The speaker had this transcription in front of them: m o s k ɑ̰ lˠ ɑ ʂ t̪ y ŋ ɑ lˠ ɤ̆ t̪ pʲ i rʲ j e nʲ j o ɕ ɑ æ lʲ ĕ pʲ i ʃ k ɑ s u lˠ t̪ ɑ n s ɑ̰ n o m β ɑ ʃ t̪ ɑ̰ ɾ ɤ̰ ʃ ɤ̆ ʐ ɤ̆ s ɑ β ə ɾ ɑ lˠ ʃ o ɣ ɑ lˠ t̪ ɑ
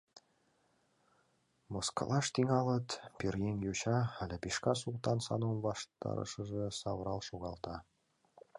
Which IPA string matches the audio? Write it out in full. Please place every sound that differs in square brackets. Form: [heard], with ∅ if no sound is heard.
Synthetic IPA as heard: m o s k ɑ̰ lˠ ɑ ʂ t̪ [i] ŋ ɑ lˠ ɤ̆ t̪ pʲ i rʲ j e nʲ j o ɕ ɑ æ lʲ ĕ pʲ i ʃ k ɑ s u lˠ t̪ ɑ n s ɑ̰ n o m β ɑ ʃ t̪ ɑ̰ ɾ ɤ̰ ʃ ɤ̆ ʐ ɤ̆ s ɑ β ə ɾ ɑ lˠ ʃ o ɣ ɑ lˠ t̪ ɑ